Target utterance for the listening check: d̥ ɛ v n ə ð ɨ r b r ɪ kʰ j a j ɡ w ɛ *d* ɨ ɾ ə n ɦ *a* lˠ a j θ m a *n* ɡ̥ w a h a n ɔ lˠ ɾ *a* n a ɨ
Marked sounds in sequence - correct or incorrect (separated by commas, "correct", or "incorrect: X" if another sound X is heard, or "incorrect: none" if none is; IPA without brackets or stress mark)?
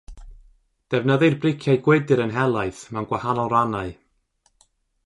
correct, incorrect: ɛ, correct, correct